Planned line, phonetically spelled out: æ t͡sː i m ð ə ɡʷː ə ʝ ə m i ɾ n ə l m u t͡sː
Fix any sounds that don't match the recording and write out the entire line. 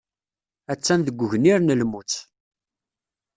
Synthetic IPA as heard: æ t͡sː æ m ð ə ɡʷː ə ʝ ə n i ɾ n ə l m u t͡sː